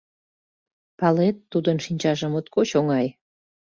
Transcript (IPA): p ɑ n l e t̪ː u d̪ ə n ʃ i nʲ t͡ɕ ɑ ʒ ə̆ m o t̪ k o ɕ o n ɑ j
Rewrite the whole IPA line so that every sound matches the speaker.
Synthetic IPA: p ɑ l e t̪ː u d̪ ə n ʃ i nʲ t͡ɕ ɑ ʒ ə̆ m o t̪ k o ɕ o ŋ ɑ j